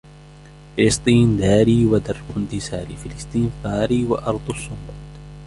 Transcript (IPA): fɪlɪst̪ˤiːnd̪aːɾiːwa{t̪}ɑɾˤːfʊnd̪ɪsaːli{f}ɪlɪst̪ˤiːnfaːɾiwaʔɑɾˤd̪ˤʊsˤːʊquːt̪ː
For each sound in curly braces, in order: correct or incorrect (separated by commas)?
incorrect, correct